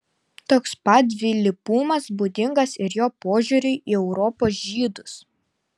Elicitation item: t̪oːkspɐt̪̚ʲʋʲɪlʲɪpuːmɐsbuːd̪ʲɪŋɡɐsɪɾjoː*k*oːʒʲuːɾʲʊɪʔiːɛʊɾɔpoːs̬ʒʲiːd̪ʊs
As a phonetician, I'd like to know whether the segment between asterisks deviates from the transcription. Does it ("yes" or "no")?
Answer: yes